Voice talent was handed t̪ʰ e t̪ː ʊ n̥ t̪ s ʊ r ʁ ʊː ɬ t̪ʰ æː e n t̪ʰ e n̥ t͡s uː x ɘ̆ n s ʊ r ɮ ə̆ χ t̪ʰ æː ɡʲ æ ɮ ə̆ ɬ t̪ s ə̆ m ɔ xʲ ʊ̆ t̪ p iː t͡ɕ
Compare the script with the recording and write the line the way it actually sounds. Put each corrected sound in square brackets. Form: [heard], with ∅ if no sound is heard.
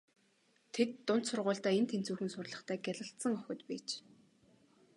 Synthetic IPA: t̪ʰ e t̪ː ʊ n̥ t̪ s ʊ r ʁ ʊː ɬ [t̪] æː e n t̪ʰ e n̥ t͡s uː x ɘ̆ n s ʊ r ɮ ə̆ χ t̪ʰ æː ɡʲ æ ɮ ə̆ ɬ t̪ s ə̆ [ŋ] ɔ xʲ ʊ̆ t̪ p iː t͡ɕ